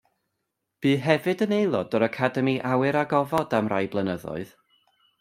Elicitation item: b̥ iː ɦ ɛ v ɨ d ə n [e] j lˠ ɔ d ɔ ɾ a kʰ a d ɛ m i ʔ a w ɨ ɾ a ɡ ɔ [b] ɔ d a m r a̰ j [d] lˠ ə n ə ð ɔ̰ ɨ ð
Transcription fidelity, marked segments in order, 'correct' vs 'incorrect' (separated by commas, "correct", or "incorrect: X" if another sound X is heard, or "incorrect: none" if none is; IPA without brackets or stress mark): correct, incorrect: v, incorrect: b